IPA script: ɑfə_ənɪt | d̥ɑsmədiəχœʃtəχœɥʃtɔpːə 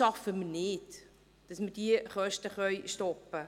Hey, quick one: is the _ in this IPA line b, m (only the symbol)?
m